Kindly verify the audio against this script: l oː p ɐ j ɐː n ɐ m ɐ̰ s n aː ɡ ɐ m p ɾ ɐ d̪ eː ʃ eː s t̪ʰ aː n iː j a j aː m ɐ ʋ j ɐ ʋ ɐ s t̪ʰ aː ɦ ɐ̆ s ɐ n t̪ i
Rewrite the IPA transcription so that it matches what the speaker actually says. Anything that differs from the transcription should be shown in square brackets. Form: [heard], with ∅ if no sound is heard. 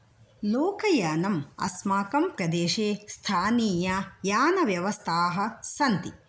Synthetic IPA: l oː [k] ɐ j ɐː n ɐ m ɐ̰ s [m] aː [k] ɐ m p ɾ ɐ d̪ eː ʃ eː s t̪ʰ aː n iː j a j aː [n] ɐ ʋ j ɐ ʋ ɐ s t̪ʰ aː ɦ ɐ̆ s ɐ n t̪ i